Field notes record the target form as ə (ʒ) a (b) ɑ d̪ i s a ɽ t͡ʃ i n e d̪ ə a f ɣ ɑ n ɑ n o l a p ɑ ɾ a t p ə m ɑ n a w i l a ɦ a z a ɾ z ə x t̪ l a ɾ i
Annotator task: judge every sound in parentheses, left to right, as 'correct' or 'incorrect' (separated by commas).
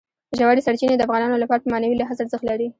correct, incorrect